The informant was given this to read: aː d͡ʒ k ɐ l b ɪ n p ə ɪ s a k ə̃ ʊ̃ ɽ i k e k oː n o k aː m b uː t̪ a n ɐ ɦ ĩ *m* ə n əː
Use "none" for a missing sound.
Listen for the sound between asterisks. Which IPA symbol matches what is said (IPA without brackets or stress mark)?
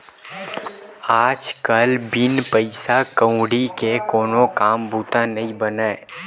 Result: b